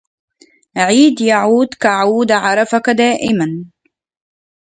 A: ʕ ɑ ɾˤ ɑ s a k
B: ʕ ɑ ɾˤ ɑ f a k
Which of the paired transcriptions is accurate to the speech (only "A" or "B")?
B